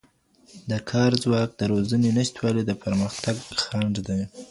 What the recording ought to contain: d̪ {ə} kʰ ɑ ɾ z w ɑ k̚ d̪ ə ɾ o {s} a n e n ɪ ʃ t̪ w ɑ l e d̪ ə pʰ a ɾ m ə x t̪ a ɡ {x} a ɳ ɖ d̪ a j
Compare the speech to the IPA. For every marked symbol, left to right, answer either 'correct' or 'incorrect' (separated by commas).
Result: correct, incorrect, correct